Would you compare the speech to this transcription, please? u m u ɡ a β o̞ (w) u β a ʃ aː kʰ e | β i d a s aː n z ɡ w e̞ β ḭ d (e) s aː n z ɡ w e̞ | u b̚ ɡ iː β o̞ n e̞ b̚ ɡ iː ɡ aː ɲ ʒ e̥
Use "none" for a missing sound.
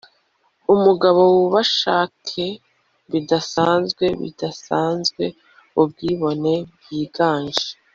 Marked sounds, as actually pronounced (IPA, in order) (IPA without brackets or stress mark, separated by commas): w, a